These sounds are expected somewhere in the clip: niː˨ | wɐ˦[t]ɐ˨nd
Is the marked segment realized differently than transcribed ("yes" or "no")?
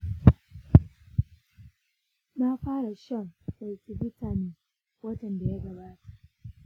no